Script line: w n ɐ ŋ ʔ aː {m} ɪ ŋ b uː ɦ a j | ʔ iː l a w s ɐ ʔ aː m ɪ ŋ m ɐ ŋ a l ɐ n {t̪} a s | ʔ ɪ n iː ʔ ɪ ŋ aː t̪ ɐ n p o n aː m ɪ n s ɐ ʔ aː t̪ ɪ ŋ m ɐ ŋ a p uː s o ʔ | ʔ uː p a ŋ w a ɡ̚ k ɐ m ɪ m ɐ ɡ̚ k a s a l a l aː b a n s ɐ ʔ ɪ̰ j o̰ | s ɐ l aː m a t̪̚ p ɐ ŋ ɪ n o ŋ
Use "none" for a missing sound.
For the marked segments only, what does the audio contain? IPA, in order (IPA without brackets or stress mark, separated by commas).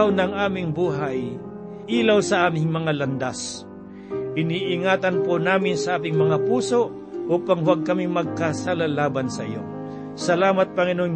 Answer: m, d̪